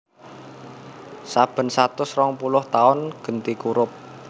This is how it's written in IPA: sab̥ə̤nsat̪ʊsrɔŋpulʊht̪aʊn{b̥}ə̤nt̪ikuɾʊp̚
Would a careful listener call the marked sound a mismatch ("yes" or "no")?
yes